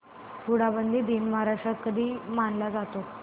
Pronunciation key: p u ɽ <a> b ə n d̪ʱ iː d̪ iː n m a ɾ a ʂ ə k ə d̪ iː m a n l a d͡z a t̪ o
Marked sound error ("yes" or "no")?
no